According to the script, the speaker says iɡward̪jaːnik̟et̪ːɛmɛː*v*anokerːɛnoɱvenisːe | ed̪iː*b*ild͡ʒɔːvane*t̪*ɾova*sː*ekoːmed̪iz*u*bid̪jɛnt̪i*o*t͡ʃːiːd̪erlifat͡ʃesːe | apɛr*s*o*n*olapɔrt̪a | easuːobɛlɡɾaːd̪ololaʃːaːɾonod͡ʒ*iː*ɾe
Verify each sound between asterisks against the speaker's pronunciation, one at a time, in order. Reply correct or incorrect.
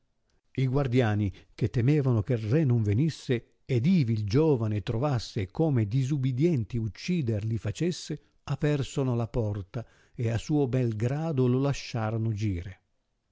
correct, incorrect, correct, correct, correct, incorrect, correct, correct, correct

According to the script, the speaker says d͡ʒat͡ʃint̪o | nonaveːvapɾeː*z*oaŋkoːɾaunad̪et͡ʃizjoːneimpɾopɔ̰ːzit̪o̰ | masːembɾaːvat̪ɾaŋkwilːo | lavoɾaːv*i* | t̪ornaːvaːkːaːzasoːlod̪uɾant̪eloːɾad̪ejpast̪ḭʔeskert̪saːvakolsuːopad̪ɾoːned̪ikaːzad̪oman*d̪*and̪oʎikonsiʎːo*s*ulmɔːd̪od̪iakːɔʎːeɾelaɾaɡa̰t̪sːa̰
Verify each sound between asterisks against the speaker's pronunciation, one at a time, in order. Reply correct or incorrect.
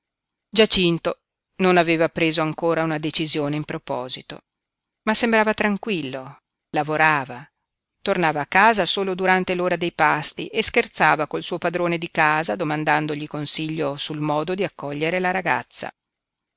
correct, incorrect, correct, correct

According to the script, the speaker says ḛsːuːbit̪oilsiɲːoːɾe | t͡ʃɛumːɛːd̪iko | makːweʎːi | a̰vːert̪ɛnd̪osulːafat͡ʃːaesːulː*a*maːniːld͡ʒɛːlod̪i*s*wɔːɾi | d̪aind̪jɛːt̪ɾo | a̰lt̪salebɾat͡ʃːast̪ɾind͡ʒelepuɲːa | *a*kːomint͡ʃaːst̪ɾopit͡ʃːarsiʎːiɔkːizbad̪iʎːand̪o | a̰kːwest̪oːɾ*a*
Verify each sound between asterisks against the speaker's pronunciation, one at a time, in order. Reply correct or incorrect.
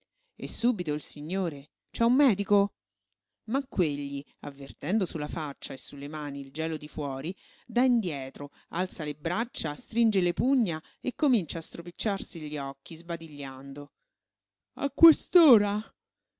incorrect, incorrect, incorrect, correct

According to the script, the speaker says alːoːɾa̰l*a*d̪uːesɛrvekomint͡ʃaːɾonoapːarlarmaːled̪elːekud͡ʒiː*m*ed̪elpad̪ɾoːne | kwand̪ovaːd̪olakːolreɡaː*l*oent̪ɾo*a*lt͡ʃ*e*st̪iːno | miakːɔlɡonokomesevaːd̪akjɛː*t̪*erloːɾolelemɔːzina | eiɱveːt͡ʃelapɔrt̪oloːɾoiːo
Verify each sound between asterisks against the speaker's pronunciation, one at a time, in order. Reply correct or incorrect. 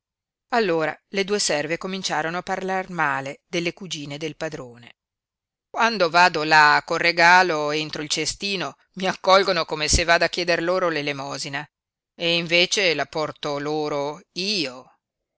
incorrect, incorrect, correct, incorrect, correct, incorrect

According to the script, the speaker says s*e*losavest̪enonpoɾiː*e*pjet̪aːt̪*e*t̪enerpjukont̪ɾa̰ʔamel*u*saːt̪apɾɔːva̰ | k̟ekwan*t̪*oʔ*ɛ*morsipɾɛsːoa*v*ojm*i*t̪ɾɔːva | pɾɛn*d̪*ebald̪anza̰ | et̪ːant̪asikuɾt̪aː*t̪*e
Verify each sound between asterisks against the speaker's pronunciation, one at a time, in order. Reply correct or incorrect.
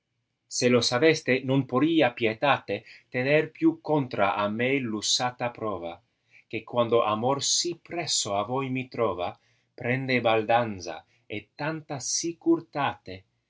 correct, incorrect, correct, correct, incorrect, incorrect, correct, correct, correct, correct

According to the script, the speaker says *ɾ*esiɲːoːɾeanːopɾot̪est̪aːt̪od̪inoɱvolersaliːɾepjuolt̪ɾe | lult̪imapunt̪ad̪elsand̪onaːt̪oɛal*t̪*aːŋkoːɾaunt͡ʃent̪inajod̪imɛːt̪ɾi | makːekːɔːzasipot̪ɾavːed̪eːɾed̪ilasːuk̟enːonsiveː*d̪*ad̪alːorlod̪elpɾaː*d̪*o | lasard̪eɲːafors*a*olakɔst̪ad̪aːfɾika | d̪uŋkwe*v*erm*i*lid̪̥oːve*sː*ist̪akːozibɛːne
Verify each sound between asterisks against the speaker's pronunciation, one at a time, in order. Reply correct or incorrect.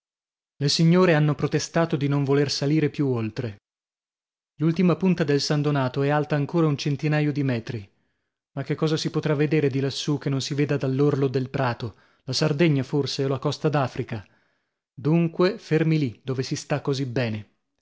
incorrect, correct, correct, incorrect, incorrect, incorrect, correct, incorrect

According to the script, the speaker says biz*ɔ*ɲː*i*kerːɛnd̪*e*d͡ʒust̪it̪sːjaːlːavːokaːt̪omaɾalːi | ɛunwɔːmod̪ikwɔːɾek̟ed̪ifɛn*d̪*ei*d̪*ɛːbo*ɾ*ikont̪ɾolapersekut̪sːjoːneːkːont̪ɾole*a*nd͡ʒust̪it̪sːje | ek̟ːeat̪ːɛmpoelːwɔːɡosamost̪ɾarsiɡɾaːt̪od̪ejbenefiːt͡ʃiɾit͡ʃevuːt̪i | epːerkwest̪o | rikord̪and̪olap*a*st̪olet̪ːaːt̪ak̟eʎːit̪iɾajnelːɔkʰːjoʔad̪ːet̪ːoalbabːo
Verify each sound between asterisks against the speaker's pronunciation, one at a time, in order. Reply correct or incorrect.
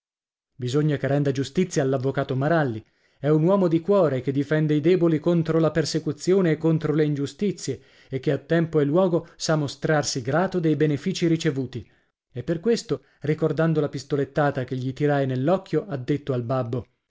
incorrect, incorrect, incorrect, correct, correct, incorrect, incorrect, incorrect

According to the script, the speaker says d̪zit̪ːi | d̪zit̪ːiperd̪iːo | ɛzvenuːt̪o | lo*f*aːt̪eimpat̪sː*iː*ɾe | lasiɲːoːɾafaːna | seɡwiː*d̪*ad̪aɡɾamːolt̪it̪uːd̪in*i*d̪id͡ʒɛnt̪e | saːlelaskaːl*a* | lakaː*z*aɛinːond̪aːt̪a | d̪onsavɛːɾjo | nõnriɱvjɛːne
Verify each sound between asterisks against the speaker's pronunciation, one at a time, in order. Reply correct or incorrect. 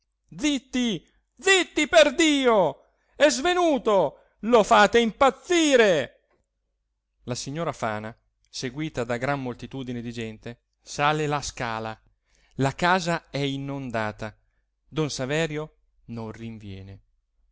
correct, correct, incorrect, incorrect, correct, correct

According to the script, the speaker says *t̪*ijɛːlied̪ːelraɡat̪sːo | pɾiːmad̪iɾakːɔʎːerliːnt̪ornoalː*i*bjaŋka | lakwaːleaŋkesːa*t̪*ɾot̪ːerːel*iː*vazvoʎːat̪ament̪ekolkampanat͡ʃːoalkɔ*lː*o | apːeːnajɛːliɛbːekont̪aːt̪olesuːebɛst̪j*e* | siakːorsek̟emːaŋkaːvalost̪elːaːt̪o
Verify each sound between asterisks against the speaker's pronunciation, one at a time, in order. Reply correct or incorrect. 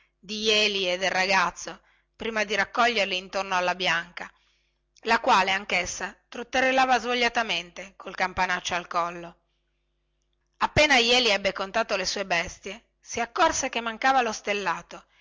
incorrect, incorrect, correct, incorrect, correct, correct

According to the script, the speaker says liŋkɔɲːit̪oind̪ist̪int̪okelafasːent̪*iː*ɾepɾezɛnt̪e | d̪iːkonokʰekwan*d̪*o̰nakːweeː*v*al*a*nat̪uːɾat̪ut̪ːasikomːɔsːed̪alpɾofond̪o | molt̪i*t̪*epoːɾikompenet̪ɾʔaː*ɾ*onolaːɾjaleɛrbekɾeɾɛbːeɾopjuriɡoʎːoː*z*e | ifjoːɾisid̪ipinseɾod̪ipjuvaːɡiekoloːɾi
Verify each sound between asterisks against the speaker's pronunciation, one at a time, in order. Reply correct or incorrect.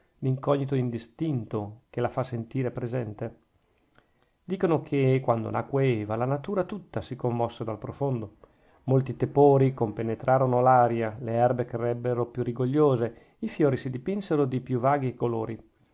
correct, correct, correct, correct, correct, correct, correct

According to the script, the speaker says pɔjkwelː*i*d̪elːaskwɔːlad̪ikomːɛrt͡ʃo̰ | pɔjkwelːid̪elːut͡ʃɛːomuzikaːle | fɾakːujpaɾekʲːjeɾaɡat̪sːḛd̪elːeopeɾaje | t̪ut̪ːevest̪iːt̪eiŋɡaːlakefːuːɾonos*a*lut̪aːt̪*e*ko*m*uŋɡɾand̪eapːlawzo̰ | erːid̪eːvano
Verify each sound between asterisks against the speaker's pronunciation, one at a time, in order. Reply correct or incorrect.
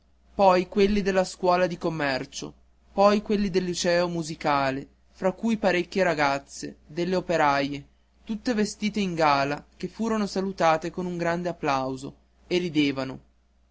correct, correct, correct, incorrect

